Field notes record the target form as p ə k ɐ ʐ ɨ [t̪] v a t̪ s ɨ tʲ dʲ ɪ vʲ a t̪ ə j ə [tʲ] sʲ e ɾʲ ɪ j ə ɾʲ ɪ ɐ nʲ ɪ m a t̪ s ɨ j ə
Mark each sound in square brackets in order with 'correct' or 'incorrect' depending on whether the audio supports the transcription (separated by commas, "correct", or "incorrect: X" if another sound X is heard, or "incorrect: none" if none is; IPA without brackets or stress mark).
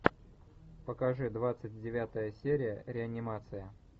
incorrect: d̪, incorrect: none